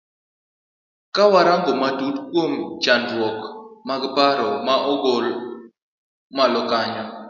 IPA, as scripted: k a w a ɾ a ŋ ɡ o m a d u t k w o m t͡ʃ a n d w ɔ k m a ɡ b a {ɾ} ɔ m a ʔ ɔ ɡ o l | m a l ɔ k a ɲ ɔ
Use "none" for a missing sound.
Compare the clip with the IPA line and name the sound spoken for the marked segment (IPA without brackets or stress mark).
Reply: ɾ